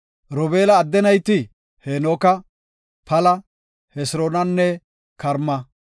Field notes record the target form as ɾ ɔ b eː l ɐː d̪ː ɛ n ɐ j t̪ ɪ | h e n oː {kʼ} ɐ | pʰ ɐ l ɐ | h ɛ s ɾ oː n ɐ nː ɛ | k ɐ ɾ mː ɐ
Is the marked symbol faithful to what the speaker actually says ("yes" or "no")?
no